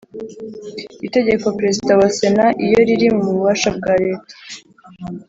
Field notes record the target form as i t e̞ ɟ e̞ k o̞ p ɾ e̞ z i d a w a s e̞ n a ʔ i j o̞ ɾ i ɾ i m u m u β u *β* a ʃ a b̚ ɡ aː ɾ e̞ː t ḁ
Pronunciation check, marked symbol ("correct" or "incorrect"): correct